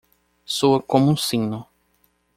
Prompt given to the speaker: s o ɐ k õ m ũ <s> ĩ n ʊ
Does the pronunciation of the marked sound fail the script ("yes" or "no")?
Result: no